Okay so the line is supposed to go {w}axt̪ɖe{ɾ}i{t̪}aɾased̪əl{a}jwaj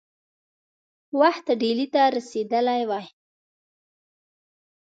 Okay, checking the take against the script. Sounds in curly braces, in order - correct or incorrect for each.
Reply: correct, incorrect, correct, correct

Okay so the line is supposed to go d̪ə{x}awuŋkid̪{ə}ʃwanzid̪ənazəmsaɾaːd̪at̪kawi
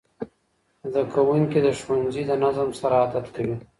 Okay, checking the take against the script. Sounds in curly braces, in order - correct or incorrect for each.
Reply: incorrect, correct

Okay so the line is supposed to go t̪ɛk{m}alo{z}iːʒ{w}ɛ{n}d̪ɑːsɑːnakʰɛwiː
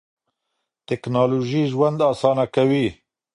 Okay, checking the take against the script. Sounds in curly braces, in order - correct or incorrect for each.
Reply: incorrect, incorrect, correct, correct

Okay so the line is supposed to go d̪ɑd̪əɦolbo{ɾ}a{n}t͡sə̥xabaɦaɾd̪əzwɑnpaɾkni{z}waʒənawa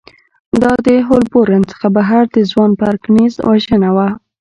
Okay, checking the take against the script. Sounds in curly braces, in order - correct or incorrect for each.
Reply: correct, correct, correct

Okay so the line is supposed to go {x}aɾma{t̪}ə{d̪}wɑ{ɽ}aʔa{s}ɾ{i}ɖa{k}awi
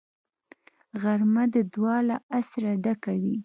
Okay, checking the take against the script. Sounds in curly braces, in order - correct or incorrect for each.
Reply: incorrect, incorrect, correct, incorrect, correct, incorrect, correct

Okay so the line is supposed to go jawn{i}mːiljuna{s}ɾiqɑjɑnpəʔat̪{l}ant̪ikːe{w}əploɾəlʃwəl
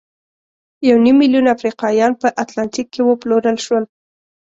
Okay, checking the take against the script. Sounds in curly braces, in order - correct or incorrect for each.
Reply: correct, incorrect, correct, correct

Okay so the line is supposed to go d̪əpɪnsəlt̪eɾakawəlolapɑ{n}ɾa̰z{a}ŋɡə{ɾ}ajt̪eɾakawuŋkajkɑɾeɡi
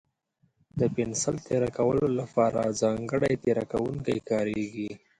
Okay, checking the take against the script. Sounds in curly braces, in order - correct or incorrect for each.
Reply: incorrect, incorrect, incorrect

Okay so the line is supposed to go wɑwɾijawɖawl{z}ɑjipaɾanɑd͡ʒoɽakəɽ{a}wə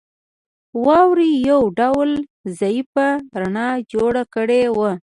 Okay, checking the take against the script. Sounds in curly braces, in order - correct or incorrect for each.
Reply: correct, incorrect

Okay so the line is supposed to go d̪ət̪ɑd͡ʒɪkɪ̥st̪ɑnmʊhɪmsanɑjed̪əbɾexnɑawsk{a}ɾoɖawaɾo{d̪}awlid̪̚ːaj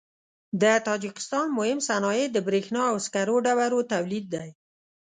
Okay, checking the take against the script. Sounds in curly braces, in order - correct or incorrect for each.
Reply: correct, incorrect

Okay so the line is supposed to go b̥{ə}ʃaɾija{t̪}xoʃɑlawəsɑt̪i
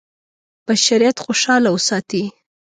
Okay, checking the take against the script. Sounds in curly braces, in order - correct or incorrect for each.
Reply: incorrect, correct

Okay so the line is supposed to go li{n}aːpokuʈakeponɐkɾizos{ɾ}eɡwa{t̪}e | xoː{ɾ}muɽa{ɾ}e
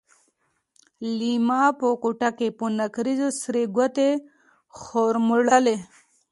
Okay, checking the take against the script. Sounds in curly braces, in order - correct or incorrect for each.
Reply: incorrect, correct, correct, correct, incorrect

